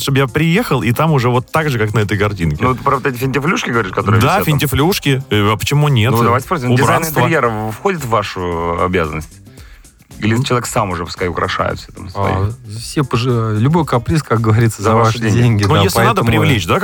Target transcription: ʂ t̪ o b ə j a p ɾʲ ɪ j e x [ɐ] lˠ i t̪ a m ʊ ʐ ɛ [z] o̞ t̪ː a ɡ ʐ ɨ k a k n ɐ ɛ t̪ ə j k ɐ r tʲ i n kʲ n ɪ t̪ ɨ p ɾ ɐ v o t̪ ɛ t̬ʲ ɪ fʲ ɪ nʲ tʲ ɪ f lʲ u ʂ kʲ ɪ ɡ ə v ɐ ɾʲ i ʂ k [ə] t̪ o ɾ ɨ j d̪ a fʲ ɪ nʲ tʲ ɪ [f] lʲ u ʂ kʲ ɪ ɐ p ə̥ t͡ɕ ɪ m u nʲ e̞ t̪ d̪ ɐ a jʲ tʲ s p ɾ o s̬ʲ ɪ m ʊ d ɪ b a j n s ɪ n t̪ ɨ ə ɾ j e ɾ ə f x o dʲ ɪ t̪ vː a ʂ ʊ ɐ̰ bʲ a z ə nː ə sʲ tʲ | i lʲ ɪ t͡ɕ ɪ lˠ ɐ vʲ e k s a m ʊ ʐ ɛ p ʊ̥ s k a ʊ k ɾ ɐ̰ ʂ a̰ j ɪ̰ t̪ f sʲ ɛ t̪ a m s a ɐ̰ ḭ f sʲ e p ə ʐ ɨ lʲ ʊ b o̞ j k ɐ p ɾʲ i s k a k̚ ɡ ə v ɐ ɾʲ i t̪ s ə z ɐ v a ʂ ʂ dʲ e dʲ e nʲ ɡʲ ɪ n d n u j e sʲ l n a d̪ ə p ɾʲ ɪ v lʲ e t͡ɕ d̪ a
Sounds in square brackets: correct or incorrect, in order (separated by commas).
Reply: incorrect, incorrect, incorrect, correct